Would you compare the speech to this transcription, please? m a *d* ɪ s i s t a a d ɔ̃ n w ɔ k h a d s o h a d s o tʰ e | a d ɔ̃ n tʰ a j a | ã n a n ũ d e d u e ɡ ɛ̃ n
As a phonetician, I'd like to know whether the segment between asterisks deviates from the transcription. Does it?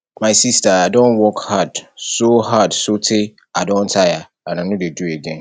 yes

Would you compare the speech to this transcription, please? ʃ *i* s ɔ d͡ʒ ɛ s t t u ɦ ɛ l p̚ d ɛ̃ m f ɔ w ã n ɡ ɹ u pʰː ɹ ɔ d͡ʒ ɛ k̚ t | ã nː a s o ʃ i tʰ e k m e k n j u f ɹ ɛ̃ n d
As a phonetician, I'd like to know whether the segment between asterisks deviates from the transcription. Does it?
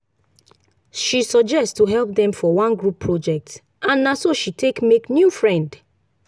no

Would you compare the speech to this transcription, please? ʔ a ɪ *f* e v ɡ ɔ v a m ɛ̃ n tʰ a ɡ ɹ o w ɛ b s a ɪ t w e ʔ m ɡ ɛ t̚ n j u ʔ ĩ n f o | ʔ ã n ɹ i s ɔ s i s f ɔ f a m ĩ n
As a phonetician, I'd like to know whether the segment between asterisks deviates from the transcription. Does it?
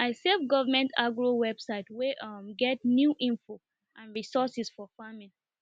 yes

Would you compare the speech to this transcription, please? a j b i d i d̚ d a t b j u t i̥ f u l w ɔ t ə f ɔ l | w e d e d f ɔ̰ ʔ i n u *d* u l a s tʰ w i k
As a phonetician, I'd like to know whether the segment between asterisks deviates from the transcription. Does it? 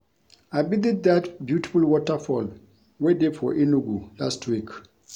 yes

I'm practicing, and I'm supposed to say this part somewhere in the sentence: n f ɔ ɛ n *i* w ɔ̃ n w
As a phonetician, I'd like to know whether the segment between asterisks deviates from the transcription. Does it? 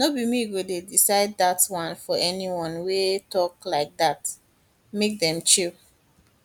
no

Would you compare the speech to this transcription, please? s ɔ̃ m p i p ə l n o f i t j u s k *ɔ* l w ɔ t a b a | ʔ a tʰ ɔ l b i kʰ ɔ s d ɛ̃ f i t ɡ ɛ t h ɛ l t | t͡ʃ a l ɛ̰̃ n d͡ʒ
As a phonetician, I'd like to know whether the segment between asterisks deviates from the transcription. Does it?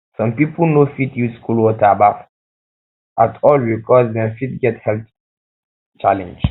yes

